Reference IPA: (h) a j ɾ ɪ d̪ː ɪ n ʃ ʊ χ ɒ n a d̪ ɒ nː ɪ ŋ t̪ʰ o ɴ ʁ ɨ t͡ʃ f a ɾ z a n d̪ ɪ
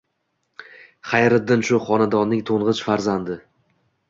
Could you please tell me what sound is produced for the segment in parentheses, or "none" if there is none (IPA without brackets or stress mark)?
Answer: χ